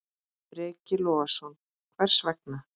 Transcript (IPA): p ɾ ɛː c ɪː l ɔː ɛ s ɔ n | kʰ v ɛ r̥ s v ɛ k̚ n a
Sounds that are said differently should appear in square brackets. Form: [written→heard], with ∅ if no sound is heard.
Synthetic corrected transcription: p ɾ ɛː c [ɪː→ɪ] l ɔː [ɛ→a] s ɔ n | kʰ v ɛ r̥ s v ɛ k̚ n a

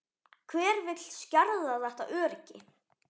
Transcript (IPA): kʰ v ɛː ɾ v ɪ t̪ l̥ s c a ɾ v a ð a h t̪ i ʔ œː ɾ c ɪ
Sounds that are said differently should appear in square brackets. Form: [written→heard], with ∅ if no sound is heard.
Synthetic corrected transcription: kʰ v ɛː ɾ v ɪ t̪ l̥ s c a ɾ [v→ð] a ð [a→ɛ] h t̪ [i→a] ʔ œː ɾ c ɪ

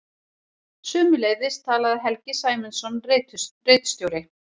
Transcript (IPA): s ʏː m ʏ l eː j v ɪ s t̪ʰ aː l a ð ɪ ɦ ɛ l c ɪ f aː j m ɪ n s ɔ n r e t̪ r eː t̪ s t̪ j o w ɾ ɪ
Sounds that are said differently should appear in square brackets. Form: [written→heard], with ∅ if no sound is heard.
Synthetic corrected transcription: s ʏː m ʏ l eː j [v→ð] ɪ s t̪ʰ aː l a ð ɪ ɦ ɛ l c ɪ [f→s] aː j m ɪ n s ɔ n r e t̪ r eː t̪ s t̪ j o w ɾ ɪ

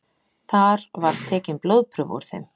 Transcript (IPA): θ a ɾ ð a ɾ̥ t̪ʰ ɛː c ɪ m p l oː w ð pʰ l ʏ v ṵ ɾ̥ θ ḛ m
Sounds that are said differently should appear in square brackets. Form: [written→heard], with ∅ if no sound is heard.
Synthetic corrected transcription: θ a ɾ [ð→v] a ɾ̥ t̪ʰ ɛː c ɪ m p l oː w ð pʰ [l→ɾ] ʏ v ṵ ɾ̥ θ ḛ m

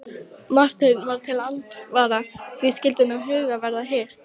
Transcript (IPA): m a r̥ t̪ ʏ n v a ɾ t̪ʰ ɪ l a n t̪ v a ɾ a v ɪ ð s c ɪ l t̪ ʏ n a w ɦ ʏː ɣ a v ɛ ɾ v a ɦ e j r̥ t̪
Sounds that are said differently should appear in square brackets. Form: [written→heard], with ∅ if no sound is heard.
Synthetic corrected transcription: m a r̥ t̪ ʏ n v a ɾ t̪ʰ ɪ l a n t̪ v a ɾ a v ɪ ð s c ɪ l t̪ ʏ n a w ɦ ʏː ɣ a v ɛ ɾ [v→ð] a ɦ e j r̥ t̪

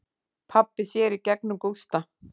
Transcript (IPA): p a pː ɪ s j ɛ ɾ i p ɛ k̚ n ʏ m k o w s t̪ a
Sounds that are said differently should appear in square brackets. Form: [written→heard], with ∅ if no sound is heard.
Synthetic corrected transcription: [p→pʰ] a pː ɪ s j ɛ ɾ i [p→c] ɛ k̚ n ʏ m k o w s t̪ a

